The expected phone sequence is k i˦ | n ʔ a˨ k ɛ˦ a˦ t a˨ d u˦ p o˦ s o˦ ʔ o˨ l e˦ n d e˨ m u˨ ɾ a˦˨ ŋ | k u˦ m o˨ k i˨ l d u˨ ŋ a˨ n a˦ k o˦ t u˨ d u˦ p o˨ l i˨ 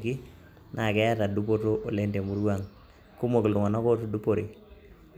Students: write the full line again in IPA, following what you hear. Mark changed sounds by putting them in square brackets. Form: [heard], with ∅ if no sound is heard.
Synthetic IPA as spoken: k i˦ | n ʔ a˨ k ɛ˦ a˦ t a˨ d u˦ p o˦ [t] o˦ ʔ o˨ l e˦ n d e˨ m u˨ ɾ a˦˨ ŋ | k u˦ m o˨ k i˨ l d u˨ ŋ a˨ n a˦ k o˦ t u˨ d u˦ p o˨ [ɾ] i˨